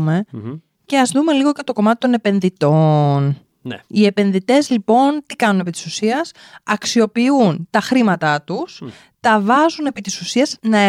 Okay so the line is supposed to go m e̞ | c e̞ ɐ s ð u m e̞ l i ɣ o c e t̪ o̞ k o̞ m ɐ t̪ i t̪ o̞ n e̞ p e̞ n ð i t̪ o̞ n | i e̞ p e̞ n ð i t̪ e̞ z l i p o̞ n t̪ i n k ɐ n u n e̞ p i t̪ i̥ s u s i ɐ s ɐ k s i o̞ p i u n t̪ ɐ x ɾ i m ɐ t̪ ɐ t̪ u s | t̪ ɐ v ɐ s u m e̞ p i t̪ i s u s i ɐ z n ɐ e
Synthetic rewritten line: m e̞ | c e̞ ɐ z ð u m e̞ l i ɣ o c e t̪ o̞ k o̞ m ɐ t̪ i t̪ o̞ n e̞ p e̞ n ð i t̪ o̞ n | i e̞ p e̞ n ð i t̪ e̞ z l i p o̞ n t̪ i k ɐ n u n e̞ p i t̪ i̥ s u s i ɐ s ɐ k s i o̞ p i u n t̪ ɐ x ɾ i m ɐ t̪ ɐ t̪ u s | t̪ ɐ v ɐ z u n e̞ p i t̪ i s u s i ɐ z n ɐ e